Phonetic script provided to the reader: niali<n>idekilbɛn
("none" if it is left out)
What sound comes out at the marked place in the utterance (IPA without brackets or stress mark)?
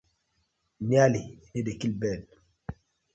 n